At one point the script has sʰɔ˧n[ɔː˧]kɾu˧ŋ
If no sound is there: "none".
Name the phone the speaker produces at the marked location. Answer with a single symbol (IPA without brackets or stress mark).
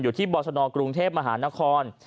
ɔː˧